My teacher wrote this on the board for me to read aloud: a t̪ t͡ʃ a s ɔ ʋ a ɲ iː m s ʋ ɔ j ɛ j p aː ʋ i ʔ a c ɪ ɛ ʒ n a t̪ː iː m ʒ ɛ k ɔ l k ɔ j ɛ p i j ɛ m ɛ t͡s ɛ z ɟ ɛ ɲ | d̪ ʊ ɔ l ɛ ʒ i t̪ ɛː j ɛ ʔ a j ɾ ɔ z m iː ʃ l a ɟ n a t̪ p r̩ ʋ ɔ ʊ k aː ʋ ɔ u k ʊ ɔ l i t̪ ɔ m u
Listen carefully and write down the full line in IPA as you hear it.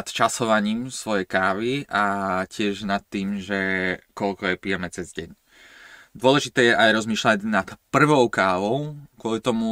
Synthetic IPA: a t̪ t͡ʃ a s ɔ ʋ a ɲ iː m s ʋ ɔ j ɛ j k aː ʋ i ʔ a c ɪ ɛ ʒ n a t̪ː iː m ʒ ɛ k ɔ l k ɔ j ɛ p i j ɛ m ɛ t͡s ɛ z ɟ ɛ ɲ | d̪ ʊ ɔ l ɛ ʒ i t̪ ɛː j ɛ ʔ a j ɾ ɔ z m iː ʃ l a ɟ n a t̪ p r̩ ʋ ɔ ʊ k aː ʋ ɔ ʊ k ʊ ɔ l i t̪ ɔ m u